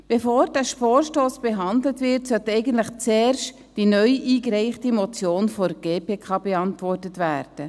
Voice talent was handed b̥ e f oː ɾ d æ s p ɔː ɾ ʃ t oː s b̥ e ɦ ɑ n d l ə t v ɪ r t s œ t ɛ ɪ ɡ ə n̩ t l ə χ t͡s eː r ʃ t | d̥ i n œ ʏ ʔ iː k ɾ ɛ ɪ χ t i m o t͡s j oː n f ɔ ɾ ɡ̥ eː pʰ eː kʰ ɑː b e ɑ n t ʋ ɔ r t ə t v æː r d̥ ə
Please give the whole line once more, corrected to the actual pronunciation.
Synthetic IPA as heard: b̥ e f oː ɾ d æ ʃ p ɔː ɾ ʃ t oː s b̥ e ɦ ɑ n d l ə t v ɪ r t s œ t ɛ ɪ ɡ ə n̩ t l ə χ t͡s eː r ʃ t | d̥ i n œ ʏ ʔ iː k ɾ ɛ ɪ χ t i m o t͡s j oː n f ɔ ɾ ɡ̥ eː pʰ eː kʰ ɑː b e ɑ n t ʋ ɔ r t ə t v æː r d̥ ə